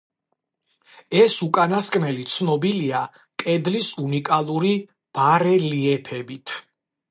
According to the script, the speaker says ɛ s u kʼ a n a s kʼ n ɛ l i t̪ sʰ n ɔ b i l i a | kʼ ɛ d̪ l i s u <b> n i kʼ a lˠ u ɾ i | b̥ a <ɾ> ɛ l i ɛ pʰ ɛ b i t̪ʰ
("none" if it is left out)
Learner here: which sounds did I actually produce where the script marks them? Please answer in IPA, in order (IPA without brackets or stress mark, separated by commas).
none, ɾ